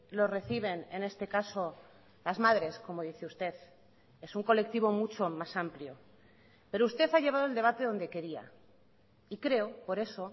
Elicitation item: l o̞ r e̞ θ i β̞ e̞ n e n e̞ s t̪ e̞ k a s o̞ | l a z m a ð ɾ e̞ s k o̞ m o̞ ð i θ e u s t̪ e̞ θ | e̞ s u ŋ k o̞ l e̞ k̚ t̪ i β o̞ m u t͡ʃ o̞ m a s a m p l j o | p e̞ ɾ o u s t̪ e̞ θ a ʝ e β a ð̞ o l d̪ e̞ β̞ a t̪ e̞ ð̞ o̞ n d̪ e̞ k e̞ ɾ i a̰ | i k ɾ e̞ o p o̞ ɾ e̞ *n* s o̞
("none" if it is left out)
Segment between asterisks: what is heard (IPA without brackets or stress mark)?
none